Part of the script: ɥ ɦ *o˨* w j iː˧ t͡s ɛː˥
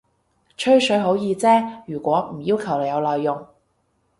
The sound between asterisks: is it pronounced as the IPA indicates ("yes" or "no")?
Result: no